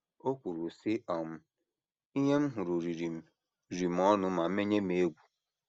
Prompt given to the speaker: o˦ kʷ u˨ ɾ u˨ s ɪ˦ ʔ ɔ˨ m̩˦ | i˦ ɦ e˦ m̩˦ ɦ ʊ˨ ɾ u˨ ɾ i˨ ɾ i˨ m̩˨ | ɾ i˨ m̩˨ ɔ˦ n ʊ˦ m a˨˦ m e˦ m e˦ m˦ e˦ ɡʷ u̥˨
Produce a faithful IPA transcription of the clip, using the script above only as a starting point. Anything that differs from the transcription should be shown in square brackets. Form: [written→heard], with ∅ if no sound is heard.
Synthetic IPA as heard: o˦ kʷ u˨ ɾ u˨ s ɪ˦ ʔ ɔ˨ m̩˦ | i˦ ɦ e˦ m̩˦ ɦ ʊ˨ ɾ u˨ ɾ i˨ ɾ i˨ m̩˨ | ɾ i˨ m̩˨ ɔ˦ n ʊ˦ m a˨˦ m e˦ [m→ɲ] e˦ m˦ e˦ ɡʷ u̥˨